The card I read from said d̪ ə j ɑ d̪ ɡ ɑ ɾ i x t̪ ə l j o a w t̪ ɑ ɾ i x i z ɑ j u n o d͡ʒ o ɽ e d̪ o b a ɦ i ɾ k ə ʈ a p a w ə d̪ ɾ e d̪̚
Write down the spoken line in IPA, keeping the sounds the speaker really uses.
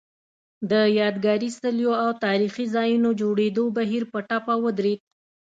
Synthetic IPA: d̪ ə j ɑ d̪ ɡ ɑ ɾ i s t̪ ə l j o a w t̪ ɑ ɾ i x i z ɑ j u n o d͡ʒ o ɽ e d̪ o b a ɦ i ɾ p ə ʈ a p a w ə d̪ ɾ e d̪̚

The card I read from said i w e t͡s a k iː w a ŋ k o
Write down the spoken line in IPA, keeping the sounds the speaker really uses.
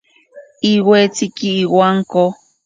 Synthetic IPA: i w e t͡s i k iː w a ŋ k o

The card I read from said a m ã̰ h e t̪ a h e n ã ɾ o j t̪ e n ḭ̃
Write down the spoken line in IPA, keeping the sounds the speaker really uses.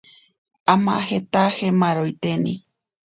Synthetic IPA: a m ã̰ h e t̪ a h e m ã ɾ o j t̪ e n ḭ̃

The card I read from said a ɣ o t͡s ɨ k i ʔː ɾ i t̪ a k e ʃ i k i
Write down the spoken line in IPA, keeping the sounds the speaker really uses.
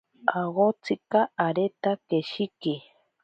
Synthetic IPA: a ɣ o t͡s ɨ k a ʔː ɾ e t̪ a k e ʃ i k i

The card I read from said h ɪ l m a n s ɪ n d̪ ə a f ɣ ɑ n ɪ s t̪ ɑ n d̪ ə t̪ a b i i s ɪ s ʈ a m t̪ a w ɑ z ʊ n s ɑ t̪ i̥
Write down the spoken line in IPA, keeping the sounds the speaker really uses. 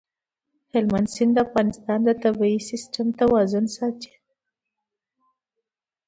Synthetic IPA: h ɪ l m a n s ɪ n d̪ ə a f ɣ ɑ n ɪ s t̪ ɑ n d̪ ə t̪ a b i i s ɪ s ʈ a m t̪ a w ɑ z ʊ n s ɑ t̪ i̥

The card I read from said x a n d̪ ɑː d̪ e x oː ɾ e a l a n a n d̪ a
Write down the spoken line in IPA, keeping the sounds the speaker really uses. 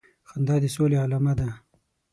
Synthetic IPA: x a n d̪ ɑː d̪ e s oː l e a l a m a d̪ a

